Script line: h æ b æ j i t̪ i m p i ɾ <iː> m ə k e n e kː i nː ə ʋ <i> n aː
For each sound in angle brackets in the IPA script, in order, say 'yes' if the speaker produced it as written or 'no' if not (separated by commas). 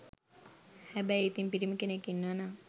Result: no, no